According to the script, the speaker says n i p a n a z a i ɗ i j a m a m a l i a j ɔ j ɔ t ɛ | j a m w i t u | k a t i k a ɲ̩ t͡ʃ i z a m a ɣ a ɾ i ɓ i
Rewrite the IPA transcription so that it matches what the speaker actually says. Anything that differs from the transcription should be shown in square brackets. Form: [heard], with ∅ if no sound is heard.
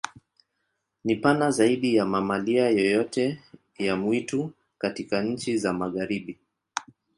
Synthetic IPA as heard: n i p a n a z a i ɗ i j a m a m a l i a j ɔ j ɔ t ɛ | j a m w i t u | k a t i k a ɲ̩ t͡ʃ i z a m a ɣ a ɾ i ɓ i